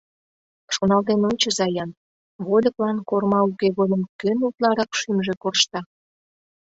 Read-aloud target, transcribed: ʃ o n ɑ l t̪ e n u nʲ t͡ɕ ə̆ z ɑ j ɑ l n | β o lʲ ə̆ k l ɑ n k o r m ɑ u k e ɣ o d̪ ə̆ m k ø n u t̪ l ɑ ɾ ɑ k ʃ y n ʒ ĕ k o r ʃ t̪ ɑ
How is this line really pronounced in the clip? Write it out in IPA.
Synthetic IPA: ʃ o n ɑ l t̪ e n o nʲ t͡ɕ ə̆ z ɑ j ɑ n | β o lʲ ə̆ k l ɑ n k o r m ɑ u k e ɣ o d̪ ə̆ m k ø n u t̪ l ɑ ɾ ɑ k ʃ y m ʒ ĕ k o r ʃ t̪ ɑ